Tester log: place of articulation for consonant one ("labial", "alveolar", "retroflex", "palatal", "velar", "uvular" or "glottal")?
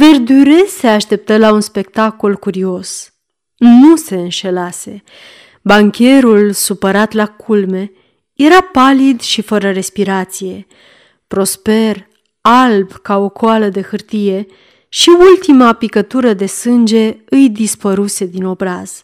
labial